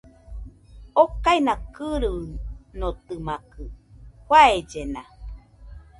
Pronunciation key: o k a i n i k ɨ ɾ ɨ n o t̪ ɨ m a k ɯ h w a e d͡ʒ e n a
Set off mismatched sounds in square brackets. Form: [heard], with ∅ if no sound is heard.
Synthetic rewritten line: o k a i n [a] k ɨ ɾ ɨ n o t̪ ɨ m a k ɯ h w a e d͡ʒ e n a

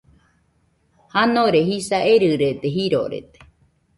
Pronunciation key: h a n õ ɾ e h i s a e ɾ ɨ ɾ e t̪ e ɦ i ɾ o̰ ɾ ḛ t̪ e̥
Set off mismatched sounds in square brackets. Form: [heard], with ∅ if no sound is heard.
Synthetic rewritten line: h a n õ ɾ e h i s a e ɾ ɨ ɾ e t̪ e ɦ i ɾ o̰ ɾ ḛ t̪ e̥

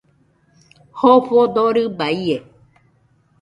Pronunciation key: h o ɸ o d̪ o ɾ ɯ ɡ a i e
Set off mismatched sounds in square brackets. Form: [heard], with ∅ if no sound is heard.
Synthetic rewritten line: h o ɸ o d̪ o ɾ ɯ [b] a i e

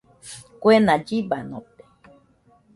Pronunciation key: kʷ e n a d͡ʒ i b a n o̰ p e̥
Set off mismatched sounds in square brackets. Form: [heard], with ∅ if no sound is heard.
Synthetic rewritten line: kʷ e n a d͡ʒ i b a n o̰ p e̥

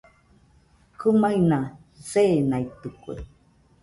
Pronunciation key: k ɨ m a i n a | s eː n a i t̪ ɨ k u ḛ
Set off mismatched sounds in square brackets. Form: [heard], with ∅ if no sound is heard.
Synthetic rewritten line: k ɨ m a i n a | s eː n a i t̪ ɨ k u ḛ

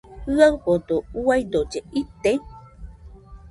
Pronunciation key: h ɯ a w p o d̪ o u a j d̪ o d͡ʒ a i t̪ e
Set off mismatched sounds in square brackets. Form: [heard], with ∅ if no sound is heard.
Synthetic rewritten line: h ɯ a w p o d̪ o u a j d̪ o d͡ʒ [e] i t̪ e

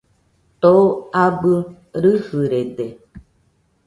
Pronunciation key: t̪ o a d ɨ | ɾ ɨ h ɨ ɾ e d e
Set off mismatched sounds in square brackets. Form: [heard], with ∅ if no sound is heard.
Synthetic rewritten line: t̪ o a [b] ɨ | ɾ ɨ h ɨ ɾ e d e

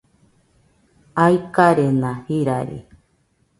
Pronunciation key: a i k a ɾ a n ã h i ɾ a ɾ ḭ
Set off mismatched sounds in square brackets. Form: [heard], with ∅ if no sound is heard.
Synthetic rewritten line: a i k a ɾ [e] n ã h i ɾ a ɾ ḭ

